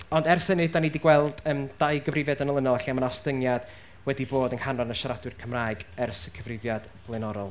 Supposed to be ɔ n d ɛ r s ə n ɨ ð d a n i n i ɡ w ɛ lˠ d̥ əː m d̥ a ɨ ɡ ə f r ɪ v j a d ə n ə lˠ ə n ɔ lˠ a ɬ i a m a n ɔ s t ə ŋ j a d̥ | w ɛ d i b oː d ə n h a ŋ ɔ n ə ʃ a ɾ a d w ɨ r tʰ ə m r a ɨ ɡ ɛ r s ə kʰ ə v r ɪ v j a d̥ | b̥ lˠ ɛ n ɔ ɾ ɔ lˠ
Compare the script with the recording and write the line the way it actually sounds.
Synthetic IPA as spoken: ɔ n d ɛ r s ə n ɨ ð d a n i d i ɡ w ɛ lˠ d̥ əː m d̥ a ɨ ɡ ə v r ɪ v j a d ə n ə lˠ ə n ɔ lˠ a ɬ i a m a n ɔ s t ə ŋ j a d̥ | w ɛ d i b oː d ə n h a n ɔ n ə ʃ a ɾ a d w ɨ r kʰ ə m r a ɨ ɡ ɛ r s ə kʰ ə v r ɪ v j a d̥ | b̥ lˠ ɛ n ɔ ɾ ɔ lˠ